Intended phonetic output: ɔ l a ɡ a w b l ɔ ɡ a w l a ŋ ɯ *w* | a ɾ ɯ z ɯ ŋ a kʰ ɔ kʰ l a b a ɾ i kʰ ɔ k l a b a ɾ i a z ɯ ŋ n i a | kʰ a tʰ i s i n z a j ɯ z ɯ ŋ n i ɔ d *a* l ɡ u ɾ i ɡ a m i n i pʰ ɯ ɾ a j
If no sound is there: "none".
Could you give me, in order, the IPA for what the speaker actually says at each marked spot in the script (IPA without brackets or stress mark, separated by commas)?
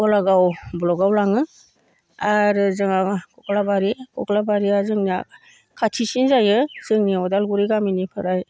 none, a